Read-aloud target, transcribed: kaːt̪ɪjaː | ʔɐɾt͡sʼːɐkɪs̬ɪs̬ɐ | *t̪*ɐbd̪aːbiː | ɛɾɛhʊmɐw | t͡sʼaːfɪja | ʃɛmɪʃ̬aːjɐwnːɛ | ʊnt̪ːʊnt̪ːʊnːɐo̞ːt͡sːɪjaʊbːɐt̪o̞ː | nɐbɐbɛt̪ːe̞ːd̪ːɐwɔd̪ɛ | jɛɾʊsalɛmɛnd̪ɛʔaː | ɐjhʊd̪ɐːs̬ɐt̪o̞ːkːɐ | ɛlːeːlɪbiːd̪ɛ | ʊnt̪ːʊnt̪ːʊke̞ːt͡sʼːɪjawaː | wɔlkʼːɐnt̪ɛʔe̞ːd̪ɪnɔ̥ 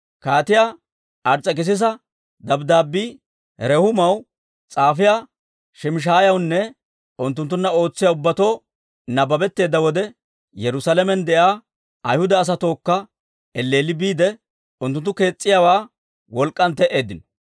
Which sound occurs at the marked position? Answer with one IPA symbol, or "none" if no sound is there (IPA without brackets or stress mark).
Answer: d̪